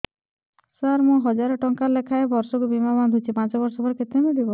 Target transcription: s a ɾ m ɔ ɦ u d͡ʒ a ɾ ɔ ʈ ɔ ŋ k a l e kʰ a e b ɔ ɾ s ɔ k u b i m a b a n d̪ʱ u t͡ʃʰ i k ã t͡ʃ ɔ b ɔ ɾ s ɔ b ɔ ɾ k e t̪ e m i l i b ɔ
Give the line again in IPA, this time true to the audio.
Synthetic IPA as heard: s a ɾ m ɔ ɦ ɔ d͡ʒ a ɾ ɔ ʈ ɔ ŋ k a l e kʰ a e b ɔ ɾ s ɔ k u b i m a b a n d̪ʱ u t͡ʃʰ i p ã t͡ʃ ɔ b ɔ ɾ s ɔ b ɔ ɾ k e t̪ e m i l i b ɔ